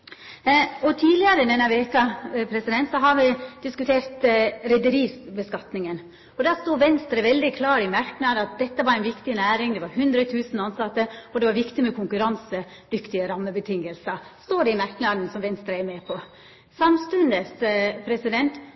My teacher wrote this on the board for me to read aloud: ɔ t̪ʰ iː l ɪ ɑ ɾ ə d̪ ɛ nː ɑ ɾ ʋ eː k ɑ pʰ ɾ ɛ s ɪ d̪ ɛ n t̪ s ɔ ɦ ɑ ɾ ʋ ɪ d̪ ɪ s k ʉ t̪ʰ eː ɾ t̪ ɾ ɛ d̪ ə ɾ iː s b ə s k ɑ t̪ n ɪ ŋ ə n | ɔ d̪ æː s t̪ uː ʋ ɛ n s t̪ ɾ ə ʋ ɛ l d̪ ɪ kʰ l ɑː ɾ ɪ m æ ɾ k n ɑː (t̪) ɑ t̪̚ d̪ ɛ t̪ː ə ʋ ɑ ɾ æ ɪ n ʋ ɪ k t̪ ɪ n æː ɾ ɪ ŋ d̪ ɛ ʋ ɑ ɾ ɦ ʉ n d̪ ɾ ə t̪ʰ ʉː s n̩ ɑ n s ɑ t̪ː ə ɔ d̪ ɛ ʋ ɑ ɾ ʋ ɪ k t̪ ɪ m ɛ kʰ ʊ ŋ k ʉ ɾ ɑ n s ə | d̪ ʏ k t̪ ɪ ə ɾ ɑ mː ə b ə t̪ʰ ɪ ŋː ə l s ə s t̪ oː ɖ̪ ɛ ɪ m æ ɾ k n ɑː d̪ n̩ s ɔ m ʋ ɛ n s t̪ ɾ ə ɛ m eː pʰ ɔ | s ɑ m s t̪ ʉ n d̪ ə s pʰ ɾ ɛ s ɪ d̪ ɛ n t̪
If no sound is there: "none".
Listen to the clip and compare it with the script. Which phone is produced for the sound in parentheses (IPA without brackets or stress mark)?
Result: d̪